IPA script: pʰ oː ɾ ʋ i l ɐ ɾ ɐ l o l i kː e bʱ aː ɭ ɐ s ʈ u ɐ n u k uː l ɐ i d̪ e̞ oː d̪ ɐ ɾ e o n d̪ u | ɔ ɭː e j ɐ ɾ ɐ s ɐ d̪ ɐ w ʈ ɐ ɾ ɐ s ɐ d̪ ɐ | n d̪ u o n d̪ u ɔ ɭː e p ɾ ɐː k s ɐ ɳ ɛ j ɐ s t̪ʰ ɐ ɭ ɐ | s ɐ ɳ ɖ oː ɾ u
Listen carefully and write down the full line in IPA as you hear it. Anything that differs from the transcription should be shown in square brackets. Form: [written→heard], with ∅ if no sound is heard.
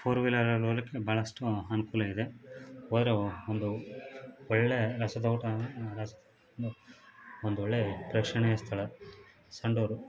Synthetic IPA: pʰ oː ɾ ʋ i l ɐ ɾ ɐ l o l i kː e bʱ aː ɭ ɐ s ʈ u ɐ n u k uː l ɐ i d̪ e̞ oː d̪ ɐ ɾ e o n d̪ u | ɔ ɭː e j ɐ ɾ ɐ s ɐ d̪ ɐ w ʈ ɐ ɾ ɐ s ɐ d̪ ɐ | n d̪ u o n d̪ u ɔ ɭː e p ɾ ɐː k [s→ʂ] ɐ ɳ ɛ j ɐ s t̪ʰ ɐ ɭ ɐ | s ɐ ɳ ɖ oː ɾ u

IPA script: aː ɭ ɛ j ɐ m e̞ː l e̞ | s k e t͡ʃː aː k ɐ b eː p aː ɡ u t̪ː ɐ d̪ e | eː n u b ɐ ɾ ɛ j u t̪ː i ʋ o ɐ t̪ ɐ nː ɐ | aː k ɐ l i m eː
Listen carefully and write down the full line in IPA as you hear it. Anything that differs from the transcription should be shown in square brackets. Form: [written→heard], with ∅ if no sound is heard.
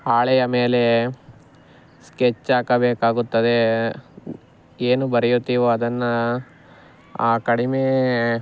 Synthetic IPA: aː ɭ ɛ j ɐ m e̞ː l e̞ | s k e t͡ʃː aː k ɐ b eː [p→k] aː ɡ u t̪ː ɐ d̪ e | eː n u b ɐ ɾ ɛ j u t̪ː i ʋ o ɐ [t̪→d̪] ɐ nː ɐ | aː k ɐ [l→ɽ] i m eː

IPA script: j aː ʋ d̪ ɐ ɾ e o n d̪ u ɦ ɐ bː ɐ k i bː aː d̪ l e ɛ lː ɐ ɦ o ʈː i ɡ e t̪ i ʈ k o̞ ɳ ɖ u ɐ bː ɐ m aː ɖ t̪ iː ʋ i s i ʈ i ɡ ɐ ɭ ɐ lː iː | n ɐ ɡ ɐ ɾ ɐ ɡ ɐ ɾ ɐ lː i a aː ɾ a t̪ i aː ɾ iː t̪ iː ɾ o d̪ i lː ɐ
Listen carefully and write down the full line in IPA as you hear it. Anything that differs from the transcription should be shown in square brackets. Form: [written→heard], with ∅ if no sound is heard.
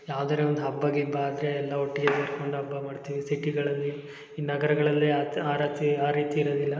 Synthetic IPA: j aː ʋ d̪ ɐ ɾ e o n d̪ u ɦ ɐ bː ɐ [k→ɡ] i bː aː d̪ [l→ɾ] e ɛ lː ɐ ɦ o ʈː i ɡ e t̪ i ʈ k o̞ ɳ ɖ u ɐ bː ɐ m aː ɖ t̪ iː ʋ i s i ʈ i ɡ ɐ ɭ ɐ lː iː | n ɐ ɡ ɐ ɾ ɐ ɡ ɐ [ɾ→ɭ] ɐ lː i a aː ɾ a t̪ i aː ɾ iː t̪ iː ɾ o d̪ i lː ɐ

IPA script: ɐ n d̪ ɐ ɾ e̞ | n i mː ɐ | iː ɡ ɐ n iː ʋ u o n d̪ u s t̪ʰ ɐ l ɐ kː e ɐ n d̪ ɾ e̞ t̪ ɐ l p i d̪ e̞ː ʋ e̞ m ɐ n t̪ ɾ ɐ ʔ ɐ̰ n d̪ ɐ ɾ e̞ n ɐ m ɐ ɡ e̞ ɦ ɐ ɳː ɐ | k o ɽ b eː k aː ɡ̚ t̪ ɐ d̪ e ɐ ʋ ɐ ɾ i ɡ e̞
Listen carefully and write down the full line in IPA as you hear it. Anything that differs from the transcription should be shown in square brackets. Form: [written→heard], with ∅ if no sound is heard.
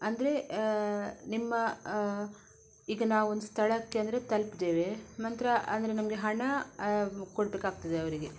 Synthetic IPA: ɐ n d̪ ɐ ɾ e̞ | n i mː ɐ | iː ɡ ɐ n [iː→aː] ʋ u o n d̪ u s t̪ʰ ɐ [l→ɭ] ɐ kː e ɐ n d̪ ɾ e̞ t̪ ɐ l p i d̪ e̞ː ʋ e̞ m ɐ n t̪ ɾ ɐ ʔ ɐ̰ n d̪ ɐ ɾ e̞ n ɐ m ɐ ɡ e̞ ɦ ɐ [ɳː→ɳ] ɐ | k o ɽ b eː k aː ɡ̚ t̪ ɐ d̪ e ɐ ʋ ɐ ɾ i ɡ e̞

